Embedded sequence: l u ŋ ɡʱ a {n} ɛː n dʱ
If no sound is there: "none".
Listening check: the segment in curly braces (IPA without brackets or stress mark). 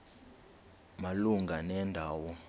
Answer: n